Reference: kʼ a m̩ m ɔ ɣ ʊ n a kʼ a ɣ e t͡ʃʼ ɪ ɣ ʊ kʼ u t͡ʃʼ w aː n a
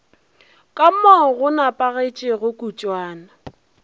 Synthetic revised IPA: kʼ a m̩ m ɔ ɣ ʊ n a pʼ a ɣ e t͡ʃʼ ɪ ɣ ʊ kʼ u t͡ʃʼ w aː n a